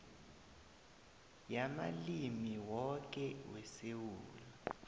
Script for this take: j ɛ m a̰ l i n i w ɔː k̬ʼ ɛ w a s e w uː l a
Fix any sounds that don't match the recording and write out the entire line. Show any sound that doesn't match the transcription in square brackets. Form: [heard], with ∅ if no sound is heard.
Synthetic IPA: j [a] m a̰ l i [m] i w [ɔ] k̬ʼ ɛ w [ɛ] s e w uː l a